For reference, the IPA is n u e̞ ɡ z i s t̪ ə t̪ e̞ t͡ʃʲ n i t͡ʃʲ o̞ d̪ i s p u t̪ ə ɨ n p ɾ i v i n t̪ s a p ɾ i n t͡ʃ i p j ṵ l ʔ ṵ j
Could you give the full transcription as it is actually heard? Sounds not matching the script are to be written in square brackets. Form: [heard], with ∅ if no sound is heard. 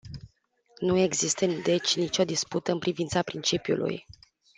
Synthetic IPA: n u e̞ ɡ z i s t̪ ə [d̪] e̞ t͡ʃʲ n i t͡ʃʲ o̞ d̪ i s p u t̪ ə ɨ n p ɾ i v i n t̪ s a p ɾ i n t͡ʃ i p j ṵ l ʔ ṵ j